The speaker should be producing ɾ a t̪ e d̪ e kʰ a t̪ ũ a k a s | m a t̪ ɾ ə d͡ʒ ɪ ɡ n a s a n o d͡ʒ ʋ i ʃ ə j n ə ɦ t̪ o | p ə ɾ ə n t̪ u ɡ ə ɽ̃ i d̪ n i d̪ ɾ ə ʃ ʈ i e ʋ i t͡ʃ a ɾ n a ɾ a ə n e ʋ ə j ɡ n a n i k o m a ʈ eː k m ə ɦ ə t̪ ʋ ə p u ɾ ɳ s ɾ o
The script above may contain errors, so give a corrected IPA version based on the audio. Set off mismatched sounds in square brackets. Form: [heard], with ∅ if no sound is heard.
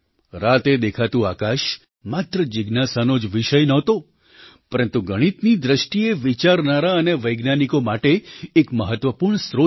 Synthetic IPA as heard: ɾ a t̪ e d̪ e kʰ a t̪ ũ a k a [ʃ] | m a t̪ ɾ ə d͡ʒ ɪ ɡ n a s a n o d͡ʒ ʋ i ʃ ə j n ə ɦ t̪ o | p ə ɾ ə n t̪ u ɡ ə ɽ̃ i [t̪] n i d̪ ɾ ə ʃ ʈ i e ʋ i t͡ʃ a ɾ n a ɾ a ə n e ʋ ə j ɡ n a n i k o m a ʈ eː k m ə ɦ ə t̪ ʋ ə p u ɾ ɳ s ɾ o

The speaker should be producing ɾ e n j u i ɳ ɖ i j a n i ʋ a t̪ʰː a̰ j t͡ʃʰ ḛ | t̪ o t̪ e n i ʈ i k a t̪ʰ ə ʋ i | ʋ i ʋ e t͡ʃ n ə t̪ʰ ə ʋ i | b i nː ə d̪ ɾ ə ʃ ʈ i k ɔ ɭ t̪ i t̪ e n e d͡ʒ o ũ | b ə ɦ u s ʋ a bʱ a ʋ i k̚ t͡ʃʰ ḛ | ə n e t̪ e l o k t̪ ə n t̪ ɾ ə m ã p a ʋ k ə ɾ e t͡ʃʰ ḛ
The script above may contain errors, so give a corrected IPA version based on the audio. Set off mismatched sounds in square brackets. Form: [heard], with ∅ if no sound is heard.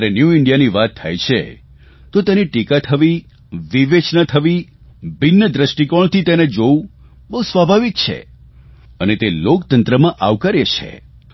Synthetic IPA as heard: ɾ e n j u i ɳ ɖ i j a n i ʋ a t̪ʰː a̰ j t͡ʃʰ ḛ | t̪ o t̪ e n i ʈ i k a t̪ʰ ə ʋ i | ʋ i ʋ e t͡ʃ n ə t̪ʰ ə ʋ i | b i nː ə d̪ ɾ ə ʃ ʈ i k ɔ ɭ t̪ i t̪ e n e d͡ʒ o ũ | b ə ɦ u s ʋ a bʱ a ʋ i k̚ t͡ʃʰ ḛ | ə n e t̪ e l o k t̪ ə n t̪ ɾ ə m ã [ʔ] a ʋ k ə ɾ e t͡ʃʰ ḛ

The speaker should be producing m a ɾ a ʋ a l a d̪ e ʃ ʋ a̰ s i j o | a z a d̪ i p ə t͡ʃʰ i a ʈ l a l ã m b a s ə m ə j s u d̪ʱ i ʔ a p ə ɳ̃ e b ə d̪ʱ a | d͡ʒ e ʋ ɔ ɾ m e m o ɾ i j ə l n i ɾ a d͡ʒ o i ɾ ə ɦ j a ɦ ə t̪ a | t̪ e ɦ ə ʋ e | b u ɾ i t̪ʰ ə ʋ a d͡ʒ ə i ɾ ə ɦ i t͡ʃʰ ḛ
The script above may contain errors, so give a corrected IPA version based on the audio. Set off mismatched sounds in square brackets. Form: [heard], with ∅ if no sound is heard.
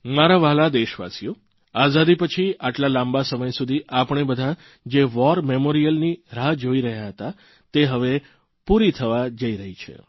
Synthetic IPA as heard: m a ɾ a ʋ a l a d̪ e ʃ ʋ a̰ s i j o | a z a d̪ i p ə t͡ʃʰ i a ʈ l a l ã m b a s ə m ə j s u d̪ʱ i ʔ a p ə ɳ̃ e b ə d̪ʱ a | d͡ʒ e ʋ ɔ ɾ m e m o ɾ i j ə l n i ɾ a d͡ʒ o i ɾ ə ɦ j a ɦ ə t̪ a | t̪ e ɦ ə ʋ e | [p] u ɾ i t̪ʰ ə ʋ a d͡ʒ ə i ɾ ə ɦ i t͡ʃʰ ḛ

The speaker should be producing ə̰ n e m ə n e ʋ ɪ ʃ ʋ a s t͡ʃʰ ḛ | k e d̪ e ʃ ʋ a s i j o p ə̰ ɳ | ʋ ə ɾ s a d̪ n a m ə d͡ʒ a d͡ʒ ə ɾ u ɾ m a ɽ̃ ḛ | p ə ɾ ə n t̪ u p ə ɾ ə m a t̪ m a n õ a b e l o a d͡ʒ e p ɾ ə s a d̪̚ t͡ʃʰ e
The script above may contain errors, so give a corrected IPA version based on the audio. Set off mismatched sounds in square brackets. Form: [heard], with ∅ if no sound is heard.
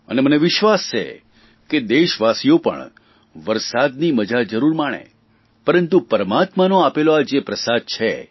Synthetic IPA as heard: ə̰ n e m ə n e ʋ ɪ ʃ ʋ a s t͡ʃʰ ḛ | k e d̪ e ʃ ʋ a s i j o p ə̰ ɳ | ʋ ə ɾ s a d̪ n [i] m ə d͡ʒ a d͡ʒ ə ɾ u ɾ m a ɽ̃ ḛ | p ə ɾ ə n t̪ u p ə ɾ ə m a t̪ m a n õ a [p] e l o a d͡ʒ e p ɾ ə s a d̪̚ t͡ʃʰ e

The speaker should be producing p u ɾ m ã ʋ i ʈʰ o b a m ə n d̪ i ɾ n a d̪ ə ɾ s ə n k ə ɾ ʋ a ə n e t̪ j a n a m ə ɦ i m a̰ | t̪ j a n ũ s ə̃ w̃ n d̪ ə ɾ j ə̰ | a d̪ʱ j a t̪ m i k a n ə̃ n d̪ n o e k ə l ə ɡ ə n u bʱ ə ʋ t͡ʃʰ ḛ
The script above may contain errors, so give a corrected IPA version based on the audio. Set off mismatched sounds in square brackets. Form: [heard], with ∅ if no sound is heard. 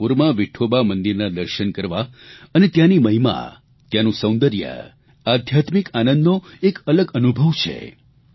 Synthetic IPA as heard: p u ɾ m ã ʋ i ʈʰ o b a m ə n d̪ i ɾ n a d̪ ə ɾ [ʃ] ə n k ə ɾ ʋ a ə n e t̪ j a n [i] m ə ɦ i m a̰ | t̪ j a n ũ s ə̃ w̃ n d̪ ə ɾ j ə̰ | a d̪ʱ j a t̪ m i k a n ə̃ n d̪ n o e k ə l ə ɡ ə n u bʱ ə ʋ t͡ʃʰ ḛ

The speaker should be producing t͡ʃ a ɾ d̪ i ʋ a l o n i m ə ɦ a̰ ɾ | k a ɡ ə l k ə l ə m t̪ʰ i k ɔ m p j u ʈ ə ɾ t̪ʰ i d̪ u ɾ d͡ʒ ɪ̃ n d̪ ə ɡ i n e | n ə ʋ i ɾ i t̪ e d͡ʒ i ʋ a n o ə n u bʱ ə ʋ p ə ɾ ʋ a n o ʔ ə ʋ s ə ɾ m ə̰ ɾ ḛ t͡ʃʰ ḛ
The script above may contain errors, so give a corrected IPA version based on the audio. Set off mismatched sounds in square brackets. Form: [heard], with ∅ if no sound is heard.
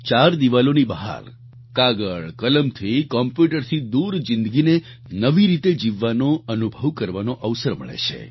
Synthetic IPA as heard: t͡ʃ a ɾ d̪ i ʋ a l o n i [b] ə ɦ a̰ ɾ | k a ɡ ə [ɭ] k ə l ə m t̪ʰ i k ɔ m p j u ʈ ə ɾ t̪ʰ i d̪ u ɾ d͡ʒ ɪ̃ n d̪ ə ɡ i n e | n ə ʋ i ɾ i t̪ e d͡ʒ i [ʋː] a n o ə n u bʱ ə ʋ [k] ə ɾ ʋ a n o ʔ ə ʋ s ə ɾ m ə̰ [ɭ] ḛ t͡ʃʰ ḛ

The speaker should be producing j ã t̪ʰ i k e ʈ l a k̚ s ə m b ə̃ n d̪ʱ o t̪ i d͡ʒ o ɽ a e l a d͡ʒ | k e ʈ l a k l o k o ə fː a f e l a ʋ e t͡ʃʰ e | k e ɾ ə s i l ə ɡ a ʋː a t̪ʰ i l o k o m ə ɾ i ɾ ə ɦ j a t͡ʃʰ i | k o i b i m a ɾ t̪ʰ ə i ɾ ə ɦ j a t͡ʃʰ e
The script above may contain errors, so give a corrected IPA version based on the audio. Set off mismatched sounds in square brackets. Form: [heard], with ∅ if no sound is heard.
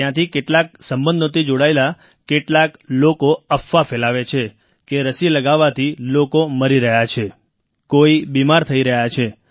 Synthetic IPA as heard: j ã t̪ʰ i k e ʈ l a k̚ s ə m b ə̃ n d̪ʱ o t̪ i d͡ʒ o ɽ a e l a [∅] | k e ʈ l a k l o k o ə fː a f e l a ʋ e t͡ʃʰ e | k e ɾ ə s i l ə ɡ a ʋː a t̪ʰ i l o k o m ə ɾ i ɾ ə ɦ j a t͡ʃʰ [e] | k o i b i m a ɾ t̪ʰ ə i ɾ ə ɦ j a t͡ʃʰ e

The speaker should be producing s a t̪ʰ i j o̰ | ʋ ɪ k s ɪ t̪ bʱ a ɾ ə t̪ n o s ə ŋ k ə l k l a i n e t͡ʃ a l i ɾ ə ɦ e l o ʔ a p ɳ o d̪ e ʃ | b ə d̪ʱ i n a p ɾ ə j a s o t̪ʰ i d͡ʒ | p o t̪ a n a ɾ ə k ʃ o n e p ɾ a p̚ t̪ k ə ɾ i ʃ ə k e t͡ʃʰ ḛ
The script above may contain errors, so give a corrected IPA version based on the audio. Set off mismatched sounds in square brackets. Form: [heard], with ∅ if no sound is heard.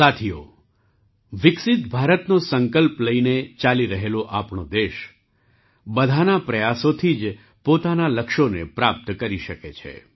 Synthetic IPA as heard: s a t̪ʰ i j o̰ | ʋ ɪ k s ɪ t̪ bʱ a ɾ ə t̪ n o s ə ŋ k ə l [p] l [ə] i n e t͡ʃ a l i ɾ ə ɦ e l o ʔ a p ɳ o d̪ e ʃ | b ə d̪ʱ [a] n a p ɾ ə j a s o t̪ʰ i d͡ʒ | p o t̪ a n a [l] ə k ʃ o n e p ɾ a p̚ t̪ k ə ɾ i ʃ ə k e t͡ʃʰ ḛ

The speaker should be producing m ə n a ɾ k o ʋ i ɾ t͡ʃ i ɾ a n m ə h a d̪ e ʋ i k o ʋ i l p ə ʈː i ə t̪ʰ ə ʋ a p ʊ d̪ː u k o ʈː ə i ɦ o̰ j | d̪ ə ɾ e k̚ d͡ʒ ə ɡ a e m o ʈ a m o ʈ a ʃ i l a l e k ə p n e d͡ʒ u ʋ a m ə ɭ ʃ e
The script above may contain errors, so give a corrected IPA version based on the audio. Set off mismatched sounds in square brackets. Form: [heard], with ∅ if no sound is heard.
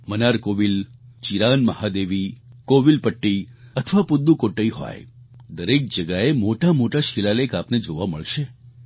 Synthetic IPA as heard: m ə n a ɾ k o ʋ i [l] t͡ʃ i ɾ a n m ə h a d̪ e ʋ i k o ʋ i l p ə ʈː i ə t̪ʰ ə ʋ a p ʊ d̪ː u k o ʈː ə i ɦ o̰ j | d̪ ə ɾ e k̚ d͡ʒ ə ɡ a e m o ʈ a m o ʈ a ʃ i l a l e k [a] p n e d͡ʒ [o] ʋ a m ə ɭ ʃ e

